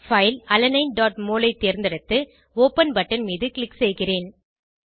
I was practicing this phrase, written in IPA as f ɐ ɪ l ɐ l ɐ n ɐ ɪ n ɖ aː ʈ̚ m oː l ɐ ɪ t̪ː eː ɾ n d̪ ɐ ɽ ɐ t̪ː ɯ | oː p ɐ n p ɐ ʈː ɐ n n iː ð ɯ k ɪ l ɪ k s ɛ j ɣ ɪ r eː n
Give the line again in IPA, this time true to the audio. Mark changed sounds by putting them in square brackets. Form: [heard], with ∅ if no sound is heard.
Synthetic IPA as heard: f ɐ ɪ l ɐ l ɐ n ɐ ɪ n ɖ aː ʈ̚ m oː l ɐ ɪ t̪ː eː ɾ n d̪ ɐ ɽ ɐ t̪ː ɯ | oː p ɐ n [b] ɐ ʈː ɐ n [m] iː ð ɯ k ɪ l ɪ k s ɛ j ɣ ɪ r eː n